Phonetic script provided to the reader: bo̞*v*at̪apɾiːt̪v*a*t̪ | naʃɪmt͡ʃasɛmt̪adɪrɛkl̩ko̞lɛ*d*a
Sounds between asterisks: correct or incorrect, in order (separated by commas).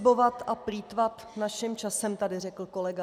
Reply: correct, correct, incorrect